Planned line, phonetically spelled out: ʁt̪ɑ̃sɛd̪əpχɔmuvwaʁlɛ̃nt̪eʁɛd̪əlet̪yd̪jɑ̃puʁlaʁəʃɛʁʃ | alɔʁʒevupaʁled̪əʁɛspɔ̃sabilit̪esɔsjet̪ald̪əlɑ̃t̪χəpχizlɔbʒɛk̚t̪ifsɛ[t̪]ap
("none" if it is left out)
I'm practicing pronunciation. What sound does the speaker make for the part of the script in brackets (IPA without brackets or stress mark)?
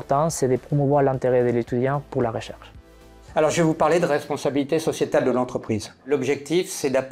d̪